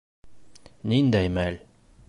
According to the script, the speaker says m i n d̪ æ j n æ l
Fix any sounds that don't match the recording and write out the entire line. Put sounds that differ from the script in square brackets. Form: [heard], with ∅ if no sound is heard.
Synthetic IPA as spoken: [n] i n d̪ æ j [m] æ l